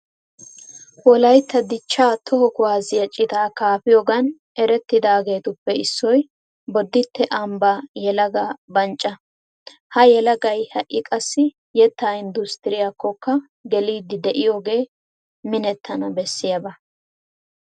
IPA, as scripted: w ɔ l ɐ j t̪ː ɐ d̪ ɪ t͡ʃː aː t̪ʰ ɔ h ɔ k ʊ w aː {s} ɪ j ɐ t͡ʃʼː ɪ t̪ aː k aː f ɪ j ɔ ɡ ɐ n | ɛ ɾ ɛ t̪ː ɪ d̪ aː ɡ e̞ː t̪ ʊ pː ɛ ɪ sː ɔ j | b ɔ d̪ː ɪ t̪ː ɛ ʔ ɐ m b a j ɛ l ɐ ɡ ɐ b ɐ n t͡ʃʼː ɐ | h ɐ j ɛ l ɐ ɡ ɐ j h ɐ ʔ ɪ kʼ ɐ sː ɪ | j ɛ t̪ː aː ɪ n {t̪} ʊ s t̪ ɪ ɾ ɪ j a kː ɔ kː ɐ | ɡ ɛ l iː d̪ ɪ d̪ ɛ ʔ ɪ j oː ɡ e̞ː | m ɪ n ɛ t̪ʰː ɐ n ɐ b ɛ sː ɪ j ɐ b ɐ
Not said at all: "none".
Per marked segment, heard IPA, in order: z, d̪

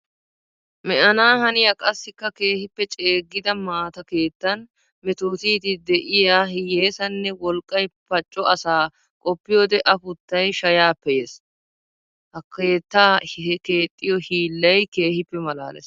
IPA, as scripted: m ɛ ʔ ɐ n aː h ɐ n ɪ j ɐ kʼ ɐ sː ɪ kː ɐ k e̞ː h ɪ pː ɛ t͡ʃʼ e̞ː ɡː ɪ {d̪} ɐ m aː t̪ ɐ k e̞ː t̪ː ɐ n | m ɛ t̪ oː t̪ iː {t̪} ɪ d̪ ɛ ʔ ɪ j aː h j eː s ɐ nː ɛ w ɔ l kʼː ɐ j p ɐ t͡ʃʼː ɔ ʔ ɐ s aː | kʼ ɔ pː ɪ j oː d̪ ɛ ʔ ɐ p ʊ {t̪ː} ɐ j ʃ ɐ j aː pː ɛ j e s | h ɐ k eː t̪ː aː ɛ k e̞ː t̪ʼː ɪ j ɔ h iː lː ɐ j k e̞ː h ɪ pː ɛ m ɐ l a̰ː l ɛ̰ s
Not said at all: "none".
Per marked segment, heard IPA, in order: d̪, t̪, t̪ː

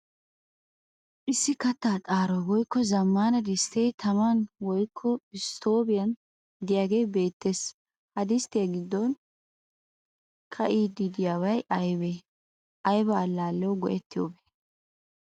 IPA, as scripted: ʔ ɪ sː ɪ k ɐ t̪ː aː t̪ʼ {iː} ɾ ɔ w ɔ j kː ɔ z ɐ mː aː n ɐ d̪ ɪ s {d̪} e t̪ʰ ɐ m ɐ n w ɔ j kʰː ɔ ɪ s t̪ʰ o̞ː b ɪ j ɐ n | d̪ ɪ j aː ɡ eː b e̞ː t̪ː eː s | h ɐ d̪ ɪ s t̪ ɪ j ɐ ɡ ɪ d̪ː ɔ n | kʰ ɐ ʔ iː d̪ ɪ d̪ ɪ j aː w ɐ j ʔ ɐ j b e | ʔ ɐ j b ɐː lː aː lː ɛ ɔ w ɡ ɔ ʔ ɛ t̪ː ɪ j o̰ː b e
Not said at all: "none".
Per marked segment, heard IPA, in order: aː, t̪

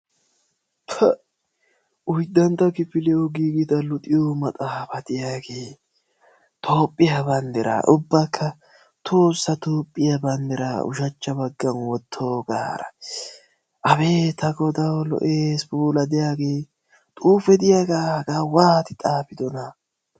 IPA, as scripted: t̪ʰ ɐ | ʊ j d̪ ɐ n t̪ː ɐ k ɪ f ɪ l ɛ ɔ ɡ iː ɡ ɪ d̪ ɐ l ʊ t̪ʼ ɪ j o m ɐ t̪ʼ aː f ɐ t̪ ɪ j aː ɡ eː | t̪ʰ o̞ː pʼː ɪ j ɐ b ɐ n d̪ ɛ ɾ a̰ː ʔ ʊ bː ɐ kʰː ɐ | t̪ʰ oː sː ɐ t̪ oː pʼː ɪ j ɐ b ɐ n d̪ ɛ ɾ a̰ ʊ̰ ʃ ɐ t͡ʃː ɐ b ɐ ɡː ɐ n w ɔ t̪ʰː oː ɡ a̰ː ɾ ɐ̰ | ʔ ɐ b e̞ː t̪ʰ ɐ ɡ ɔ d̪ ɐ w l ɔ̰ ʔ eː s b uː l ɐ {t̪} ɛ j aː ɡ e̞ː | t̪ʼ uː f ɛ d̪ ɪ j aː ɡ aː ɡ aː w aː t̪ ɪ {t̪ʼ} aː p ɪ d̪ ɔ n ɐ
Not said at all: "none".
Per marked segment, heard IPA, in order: d̪, t̪ʼ

